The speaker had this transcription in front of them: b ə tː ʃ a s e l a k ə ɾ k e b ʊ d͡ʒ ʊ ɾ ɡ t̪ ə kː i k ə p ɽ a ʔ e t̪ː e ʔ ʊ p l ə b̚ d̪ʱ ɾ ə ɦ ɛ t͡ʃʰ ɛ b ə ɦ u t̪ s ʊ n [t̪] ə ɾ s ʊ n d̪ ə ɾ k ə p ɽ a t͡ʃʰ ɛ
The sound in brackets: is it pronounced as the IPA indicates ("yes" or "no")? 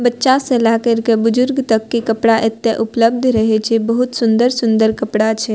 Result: no